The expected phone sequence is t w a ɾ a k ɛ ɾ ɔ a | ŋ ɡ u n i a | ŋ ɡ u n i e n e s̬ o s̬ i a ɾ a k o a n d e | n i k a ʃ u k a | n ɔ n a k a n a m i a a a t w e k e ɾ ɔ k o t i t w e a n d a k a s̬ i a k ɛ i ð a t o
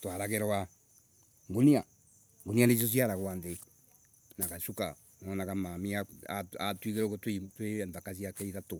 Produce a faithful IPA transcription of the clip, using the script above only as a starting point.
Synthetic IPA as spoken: t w a ɾ a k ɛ ɾ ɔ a | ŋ ɡ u n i a | ŋ ɡ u n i a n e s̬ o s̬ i a ɾ a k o a n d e | n a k a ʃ u k a | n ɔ n a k a m a m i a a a t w i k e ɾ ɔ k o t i t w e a n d a k a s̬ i a k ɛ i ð a t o